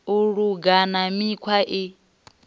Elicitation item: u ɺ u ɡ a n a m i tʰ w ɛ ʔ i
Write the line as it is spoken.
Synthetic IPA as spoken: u ɺ u ɡ a n a m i kʰ w a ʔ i